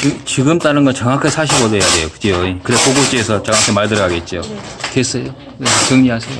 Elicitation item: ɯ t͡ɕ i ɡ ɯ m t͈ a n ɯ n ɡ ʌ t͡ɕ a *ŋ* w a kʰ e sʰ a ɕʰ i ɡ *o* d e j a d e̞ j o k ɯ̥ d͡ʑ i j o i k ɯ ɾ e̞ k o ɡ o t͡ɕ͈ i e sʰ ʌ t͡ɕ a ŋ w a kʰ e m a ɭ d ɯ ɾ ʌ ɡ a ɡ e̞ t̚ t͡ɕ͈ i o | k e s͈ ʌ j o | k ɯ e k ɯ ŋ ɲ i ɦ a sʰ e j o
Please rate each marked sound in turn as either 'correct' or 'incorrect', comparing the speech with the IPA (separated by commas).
correct, correct